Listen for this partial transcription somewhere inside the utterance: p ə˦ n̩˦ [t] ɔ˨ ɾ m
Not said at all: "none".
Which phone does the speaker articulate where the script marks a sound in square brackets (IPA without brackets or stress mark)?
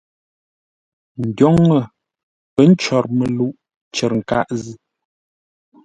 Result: t͡ʃ